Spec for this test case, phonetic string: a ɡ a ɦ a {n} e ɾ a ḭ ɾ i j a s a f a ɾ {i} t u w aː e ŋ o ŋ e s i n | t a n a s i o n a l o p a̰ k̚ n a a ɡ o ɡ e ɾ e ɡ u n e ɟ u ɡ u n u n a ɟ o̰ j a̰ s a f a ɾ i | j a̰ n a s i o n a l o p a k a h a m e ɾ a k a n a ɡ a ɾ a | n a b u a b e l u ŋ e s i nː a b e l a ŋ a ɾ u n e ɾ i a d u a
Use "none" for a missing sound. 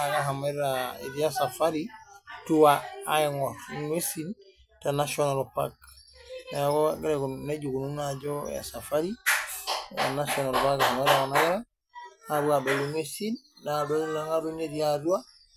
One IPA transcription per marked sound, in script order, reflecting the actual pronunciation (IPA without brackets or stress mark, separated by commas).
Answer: m, i